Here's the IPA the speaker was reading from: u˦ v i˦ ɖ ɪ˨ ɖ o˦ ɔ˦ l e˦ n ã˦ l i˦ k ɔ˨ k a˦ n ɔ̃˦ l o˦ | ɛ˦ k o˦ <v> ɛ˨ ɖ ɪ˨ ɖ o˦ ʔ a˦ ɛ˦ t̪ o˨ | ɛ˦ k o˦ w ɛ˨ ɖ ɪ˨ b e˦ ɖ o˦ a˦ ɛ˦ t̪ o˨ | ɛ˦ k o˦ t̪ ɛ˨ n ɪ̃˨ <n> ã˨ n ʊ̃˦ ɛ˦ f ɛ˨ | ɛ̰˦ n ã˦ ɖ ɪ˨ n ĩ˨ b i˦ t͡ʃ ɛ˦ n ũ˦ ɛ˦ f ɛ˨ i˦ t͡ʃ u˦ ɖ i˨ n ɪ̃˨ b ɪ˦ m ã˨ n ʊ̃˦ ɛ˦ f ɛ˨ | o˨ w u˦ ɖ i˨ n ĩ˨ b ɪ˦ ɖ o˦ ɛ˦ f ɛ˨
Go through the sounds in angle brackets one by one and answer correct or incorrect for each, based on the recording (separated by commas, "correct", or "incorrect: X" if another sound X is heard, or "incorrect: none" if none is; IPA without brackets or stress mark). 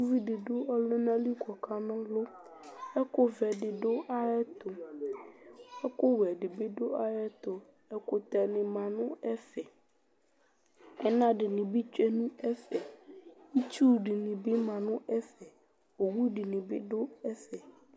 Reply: correct, incorrect: m